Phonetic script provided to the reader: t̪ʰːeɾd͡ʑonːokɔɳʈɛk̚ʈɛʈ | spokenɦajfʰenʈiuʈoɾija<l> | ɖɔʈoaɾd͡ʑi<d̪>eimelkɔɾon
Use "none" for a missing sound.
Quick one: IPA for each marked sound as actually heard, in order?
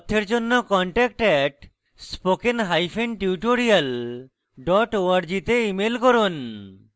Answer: l, t̪

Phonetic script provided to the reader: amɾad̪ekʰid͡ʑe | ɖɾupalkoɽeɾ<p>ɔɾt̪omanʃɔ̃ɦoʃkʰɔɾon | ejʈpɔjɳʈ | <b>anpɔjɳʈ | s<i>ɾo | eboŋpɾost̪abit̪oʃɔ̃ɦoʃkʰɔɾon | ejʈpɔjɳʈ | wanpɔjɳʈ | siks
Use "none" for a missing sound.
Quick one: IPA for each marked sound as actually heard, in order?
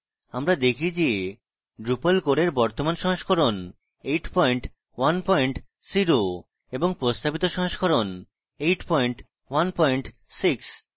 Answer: b, w, i

